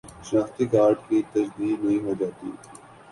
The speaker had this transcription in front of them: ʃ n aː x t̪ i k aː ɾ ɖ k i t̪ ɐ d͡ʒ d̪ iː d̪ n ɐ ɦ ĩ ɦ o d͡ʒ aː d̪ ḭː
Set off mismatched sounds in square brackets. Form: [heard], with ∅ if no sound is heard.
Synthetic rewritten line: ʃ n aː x t̪ i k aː ɾ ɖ k i t̪ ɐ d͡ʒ d̪ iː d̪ n ɐ ɦ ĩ ɦ o d͡ʒ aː [t̪] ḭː